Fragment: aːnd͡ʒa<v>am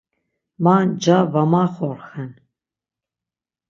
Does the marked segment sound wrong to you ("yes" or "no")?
no